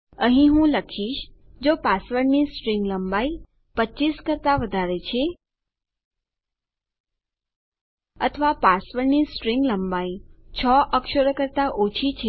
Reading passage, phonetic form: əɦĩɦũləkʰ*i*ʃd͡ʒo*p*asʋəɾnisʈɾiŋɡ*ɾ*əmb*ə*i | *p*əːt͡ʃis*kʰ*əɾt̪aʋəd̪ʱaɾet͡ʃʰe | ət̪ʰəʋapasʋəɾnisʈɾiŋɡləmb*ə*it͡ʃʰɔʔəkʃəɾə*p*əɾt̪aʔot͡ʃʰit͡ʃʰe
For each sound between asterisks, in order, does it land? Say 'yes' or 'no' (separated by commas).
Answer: yes, yes, no, no, yes, no, no, no